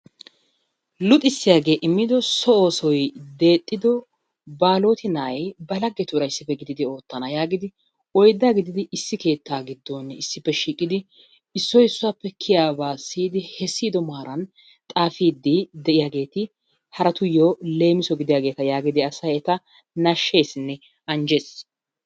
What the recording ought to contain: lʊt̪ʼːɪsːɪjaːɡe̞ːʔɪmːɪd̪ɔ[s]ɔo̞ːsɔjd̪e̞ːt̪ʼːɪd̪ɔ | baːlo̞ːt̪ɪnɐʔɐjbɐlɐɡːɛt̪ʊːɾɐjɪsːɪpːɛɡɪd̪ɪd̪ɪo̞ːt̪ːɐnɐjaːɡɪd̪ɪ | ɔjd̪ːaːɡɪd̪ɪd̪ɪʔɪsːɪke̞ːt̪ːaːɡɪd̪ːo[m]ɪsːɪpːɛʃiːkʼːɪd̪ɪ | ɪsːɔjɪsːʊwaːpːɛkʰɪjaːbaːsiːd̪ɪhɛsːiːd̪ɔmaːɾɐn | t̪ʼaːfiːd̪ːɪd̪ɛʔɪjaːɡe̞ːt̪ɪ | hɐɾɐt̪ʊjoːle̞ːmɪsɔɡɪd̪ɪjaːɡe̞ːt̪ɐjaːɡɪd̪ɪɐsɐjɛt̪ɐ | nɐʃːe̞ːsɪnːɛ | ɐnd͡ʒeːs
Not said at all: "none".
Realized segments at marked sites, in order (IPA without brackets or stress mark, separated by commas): s, n